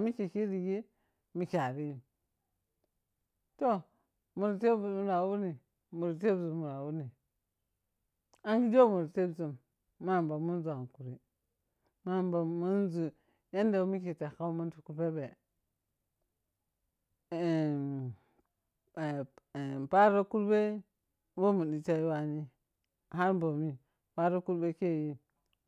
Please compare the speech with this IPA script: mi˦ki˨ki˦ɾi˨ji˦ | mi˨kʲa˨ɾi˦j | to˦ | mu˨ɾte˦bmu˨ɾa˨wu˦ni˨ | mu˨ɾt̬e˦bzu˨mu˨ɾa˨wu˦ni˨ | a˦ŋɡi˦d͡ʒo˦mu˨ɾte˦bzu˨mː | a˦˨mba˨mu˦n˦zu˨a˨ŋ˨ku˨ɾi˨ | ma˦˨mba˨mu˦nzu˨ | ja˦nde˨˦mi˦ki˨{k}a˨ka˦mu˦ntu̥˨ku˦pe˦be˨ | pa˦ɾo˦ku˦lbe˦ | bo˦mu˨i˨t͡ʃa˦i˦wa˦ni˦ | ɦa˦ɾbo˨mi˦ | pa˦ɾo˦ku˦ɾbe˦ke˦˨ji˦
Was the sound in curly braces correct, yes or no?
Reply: no